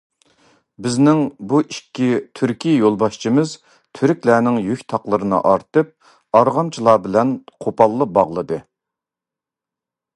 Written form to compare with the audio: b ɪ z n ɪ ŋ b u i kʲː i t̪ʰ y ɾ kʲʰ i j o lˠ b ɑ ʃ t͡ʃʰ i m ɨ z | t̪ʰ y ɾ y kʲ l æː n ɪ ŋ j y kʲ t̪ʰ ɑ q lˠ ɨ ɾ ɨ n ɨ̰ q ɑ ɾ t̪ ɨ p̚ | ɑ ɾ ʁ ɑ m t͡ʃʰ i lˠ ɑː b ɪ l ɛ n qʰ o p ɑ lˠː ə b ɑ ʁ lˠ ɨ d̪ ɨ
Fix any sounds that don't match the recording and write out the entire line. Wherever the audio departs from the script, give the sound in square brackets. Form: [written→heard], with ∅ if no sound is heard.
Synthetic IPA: b ɪ z n ɪ ŋ b u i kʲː i t̪ʰ y ɾ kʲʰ i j o lˠ b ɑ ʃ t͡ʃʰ i m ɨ z | t̪ʰ y ɾ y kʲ l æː n ɪ ŋ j y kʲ t̪ʰ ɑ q lˠ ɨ ɾ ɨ n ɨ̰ [q→ʔ] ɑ ɾ t̪ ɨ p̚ | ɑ ɾ ʁ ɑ m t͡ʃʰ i lˠ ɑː b ɪ l ɛ n qʰ o p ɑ lˠː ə b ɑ ʁ lˠ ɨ d̪ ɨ